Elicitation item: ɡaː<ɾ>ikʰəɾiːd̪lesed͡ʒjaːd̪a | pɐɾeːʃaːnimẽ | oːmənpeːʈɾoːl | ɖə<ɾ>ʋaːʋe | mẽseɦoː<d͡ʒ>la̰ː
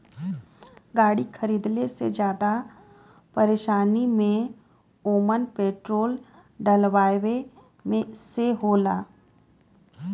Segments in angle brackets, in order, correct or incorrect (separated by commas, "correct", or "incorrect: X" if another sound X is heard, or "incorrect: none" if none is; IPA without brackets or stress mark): incorrect: ɽ, incorrect: l, incorrect: none